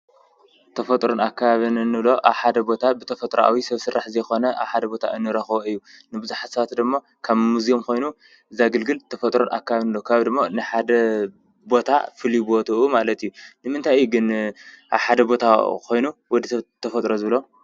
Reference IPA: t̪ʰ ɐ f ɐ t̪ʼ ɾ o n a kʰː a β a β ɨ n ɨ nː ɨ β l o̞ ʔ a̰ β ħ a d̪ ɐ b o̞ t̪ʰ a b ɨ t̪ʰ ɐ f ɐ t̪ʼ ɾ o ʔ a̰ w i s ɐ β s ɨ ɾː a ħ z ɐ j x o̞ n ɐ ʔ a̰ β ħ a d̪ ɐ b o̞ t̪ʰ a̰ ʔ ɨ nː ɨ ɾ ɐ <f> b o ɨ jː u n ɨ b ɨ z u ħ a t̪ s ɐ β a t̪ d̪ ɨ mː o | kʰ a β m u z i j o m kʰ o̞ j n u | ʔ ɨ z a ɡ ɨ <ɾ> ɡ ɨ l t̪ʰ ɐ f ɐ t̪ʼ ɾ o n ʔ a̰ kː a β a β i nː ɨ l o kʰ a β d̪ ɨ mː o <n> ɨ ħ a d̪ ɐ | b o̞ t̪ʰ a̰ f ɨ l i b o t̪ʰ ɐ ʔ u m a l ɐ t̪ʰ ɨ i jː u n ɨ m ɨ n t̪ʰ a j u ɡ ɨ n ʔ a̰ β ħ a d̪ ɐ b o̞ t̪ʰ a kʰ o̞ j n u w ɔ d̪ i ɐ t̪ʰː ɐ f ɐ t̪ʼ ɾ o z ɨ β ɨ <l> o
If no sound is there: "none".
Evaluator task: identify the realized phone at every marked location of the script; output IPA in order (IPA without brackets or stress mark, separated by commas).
x, l, n, l